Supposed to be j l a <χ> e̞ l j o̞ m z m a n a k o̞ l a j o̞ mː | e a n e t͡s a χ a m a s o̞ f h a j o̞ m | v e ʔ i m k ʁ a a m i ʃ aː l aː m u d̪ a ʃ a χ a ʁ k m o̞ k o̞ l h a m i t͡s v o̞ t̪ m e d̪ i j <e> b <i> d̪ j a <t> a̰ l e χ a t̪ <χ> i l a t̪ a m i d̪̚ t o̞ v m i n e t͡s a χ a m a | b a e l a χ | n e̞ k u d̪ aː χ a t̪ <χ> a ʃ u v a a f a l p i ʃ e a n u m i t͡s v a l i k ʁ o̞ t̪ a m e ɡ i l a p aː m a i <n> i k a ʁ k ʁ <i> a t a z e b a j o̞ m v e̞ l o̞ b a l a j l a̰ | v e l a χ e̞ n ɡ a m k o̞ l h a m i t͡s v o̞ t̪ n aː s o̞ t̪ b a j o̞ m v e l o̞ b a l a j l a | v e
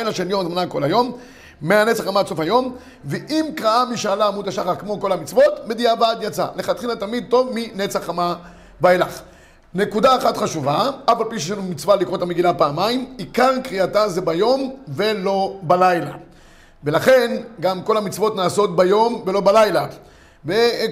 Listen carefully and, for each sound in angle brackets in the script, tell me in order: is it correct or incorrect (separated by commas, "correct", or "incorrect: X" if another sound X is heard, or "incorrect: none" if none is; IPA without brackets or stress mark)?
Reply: incorrect: ʃ, incorrect: a, incorrect: a, incorrect: t͡s, correct, correct, incorrect: m, correct